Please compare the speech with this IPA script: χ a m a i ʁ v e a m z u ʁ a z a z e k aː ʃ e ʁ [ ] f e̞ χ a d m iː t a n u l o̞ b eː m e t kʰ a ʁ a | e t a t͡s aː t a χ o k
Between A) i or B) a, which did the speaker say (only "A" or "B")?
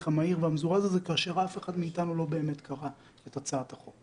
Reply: B